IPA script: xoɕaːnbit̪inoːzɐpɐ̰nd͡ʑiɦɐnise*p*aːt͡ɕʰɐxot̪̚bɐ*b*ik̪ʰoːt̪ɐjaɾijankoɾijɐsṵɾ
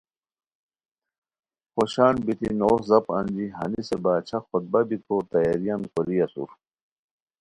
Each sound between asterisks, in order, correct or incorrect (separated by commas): incorrect, correct